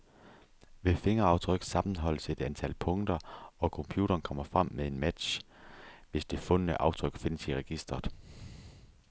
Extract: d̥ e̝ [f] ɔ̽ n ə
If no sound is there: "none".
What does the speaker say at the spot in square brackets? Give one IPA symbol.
f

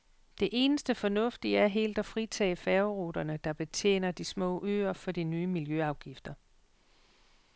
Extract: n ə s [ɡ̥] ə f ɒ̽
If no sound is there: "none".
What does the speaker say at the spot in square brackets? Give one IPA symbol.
d̥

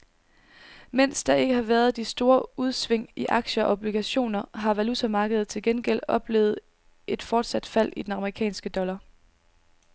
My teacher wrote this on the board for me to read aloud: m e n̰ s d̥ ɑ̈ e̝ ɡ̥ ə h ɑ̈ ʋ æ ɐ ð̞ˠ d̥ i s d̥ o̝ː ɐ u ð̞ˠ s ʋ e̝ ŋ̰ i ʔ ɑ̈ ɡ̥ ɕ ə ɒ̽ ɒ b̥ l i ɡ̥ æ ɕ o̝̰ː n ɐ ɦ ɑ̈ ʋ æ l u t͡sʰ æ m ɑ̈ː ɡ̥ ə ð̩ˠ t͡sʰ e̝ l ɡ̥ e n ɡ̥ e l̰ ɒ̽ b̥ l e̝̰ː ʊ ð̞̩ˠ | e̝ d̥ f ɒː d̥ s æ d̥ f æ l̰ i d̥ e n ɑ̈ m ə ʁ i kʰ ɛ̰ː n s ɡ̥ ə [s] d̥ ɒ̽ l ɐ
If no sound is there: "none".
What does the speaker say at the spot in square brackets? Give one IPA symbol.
none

